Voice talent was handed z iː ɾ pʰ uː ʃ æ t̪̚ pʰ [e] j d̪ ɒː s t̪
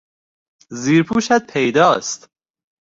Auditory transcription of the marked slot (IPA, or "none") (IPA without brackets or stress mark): e